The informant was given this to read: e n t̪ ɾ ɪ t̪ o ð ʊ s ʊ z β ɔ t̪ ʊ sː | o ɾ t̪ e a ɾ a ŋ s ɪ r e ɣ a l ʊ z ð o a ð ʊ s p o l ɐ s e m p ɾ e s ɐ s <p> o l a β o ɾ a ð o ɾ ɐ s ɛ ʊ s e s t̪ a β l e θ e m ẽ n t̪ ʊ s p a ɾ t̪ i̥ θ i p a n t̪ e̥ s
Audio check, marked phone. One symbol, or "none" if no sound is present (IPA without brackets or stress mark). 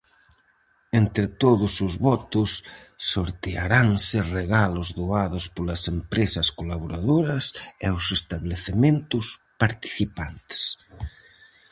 k